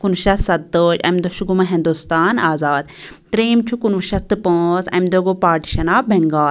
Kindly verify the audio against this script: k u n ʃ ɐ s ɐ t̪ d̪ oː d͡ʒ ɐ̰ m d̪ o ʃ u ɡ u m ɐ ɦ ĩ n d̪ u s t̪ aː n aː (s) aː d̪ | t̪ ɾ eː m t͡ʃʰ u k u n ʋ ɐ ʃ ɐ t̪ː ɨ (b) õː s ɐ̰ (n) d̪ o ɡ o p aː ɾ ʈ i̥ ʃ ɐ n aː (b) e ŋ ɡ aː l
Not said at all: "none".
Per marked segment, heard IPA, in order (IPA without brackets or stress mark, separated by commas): z, p, m, b